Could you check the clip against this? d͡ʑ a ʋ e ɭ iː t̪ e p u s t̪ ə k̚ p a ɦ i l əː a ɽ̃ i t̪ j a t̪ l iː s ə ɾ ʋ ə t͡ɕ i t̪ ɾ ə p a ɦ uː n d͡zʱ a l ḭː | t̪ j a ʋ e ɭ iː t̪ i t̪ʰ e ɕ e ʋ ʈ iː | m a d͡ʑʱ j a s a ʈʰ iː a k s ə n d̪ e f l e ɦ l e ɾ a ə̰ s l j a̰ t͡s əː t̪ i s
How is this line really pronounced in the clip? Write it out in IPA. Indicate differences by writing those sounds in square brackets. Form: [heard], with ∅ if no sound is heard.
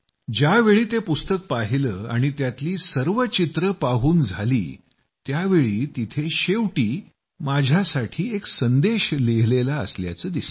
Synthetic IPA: d͡ʑ a ʋ e ɭ iː t̪ e p u s t̪ ə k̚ p a ɦ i l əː a ɽ̃ i t̪ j a t̪ l iː s ə ɾ ʋ ə t͡ɕ i t̪ ɾ ə p a ɦ uː n d͡zʱ a l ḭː | t̪ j a ʋ e ɭ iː t̪ i t̪ʰ e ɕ e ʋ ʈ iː | m a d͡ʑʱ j a s a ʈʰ iː [e] k s ə n d̪ e [ɕ] l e ɦ l e [l] a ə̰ s l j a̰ t͡s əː [d̪] i s

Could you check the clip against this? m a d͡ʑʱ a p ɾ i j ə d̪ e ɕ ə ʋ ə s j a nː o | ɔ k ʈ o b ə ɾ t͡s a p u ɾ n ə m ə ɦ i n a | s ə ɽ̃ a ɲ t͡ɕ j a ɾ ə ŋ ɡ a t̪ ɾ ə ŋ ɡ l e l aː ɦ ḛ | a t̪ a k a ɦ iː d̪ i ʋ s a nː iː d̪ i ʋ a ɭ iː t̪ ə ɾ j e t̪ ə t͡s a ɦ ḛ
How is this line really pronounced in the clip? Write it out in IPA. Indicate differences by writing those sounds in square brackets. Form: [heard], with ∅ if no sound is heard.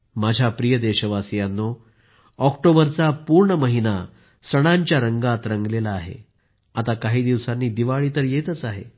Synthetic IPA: m a d͡ʑʱ a p ɾ i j ə d̪ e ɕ ə ʋ [a] s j a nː o | ɔ k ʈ o b ə ɾ t͡s a p u ɾ [ɳ] ə m ə ɦ i n a | s ə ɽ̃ a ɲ t͡ɕ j a ɾ ə ŋ ɡ a t̪ ɾ ə ŋ ɡ l e l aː ɦ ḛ | a t̪ a k a ɦ iː d̪ i ʋ s a nː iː d̪ i ʋ a ɭ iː t̪ ə ɾ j e t̪ ə t͡s a ɦ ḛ

